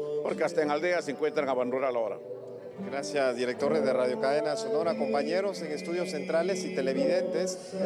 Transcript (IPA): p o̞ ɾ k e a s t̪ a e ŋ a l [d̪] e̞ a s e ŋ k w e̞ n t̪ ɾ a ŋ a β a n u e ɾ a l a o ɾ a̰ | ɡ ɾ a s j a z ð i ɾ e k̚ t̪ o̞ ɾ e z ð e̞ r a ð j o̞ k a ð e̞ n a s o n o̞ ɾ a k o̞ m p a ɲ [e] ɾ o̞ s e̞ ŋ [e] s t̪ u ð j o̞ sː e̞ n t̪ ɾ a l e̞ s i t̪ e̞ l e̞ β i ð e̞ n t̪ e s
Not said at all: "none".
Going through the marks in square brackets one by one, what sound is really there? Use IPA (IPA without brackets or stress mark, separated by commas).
d̪, e, e